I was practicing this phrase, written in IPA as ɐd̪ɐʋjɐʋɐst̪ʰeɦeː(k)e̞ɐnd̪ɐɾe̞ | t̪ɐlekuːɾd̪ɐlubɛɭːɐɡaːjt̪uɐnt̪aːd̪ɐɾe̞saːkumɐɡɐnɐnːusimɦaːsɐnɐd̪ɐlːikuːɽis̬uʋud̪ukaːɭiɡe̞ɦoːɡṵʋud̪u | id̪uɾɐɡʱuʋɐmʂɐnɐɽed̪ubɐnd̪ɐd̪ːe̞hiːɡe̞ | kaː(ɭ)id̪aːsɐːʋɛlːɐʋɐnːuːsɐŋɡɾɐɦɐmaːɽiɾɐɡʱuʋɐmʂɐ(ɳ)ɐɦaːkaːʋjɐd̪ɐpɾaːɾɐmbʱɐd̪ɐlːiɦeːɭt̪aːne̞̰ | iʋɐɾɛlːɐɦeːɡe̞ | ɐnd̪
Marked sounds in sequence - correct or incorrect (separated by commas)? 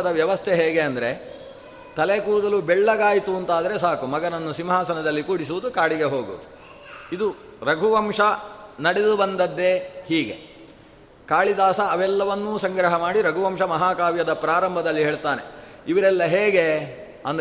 incorrect, correct, incorrect